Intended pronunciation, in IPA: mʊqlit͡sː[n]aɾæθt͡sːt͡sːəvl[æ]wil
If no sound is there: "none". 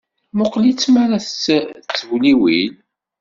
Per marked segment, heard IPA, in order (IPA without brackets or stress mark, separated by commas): m, i